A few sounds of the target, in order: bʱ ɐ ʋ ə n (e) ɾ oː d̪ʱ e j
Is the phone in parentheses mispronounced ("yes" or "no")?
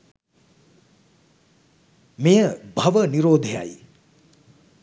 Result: yes